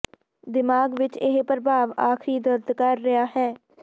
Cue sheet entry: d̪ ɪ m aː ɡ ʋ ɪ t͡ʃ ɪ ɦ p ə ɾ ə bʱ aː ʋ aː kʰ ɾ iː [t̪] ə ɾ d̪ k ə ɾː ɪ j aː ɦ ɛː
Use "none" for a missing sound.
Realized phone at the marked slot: d̪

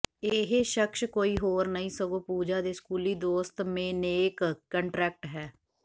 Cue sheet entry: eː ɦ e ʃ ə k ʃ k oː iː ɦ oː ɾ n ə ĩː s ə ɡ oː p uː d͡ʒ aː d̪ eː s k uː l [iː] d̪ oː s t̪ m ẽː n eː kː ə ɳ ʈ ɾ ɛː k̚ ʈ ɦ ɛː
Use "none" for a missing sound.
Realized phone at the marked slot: iː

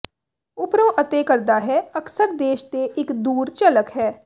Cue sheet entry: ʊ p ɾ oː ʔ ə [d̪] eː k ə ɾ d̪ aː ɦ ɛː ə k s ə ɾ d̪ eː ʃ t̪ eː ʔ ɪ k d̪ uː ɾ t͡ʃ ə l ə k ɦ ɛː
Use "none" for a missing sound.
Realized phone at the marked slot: t̪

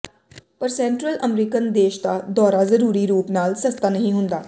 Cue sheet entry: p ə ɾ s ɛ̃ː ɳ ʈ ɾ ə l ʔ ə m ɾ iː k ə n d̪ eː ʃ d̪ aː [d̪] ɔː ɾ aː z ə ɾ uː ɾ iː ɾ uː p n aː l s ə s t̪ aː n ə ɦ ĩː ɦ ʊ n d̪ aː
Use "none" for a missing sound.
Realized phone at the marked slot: d̪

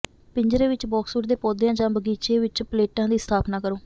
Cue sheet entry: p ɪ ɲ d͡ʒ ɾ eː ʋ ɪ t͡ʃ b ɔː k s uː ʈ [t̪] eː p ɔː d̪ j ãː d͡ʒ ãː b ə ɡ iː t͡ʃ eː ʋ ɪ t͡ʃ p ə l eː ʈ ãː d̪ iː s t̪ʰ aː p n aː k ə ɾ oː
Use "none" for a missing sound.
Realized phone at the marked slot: d̪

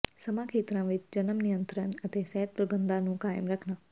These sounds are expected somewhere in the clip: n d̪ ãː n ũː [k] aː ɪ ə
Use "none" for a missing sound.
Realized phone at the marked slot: k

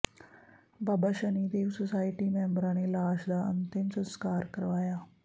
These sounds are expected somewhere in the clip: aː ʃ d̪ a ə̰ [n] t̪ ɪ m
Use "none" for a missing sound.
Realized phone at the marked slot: n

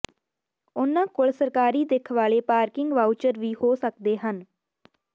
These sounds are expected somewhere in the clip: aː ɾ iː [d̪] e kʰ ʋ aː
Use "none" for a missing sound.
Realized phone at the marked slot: d̪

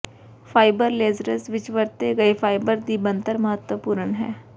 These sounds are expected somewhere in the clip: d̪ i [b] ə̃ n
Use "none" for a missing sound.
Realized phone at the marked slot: b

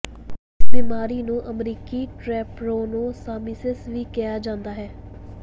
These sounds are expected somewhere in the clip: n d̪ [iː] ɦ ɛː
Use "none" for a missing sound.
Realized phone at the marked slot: aː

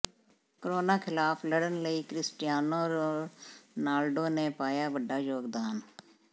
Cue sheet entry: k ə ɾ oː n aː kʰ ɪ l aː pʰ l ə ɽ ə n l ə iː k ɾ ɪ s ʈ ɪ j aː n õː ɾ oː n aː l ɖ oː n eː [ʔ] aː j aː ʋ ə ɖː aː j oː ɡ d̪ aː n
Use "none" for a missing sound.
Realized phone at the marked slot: p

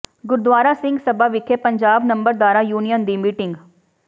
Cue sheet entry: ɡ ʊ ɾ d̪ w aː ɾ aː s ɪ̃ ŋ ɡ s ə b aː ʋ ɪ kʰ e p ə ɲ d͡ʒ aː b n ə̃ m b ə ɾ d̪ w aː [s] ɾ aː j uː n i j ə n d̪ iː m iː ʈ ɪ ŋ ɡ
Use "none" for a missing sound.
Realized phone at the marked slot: none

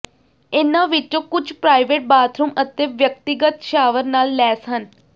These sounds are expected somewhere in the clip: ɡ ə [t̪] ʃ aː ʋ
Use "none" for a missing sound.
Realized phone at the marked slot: t̪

